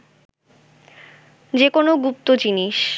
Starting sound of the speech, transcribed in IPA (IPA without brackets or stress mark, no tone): d͡ʑ